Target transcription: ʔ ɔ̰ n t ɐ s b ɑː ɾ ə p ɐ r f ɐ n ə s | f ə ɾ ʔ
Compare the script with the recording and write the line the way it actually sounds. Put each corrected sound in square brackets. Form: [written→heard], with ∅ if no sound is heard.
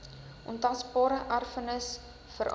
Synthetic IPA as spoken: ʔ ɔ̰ n t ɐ s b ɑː ɾ ə [p→ʔ] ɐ r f [ɐ→ə] n ə s | f ə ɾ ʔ